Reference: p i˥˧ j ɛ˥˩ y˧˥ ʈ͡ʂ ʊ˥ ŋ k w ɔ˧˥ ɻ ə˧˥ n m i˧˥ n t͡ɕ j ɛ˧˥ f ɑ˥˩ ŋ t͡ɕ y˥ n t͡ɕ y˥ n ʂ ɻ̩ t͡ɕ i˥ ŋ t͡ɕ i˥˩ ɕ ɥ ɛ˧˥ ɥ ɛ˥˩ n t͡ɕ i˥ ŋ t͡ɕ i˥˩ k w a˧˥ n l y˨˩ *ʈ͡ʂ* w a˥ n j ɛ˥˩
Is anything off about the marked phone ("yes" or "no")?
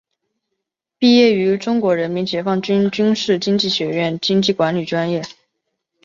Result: no